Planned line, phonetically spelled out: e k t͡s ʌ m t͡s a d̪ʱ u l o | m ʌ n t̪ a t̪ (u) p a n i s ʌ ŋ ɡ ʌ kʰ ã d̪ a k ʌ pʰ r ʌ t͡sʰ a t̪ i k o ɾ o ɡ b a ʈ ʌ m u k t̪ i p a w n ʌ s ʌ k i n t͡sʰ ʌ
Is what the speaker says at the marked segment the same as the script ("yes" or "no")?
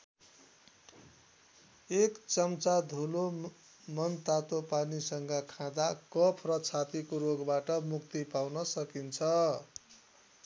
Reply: no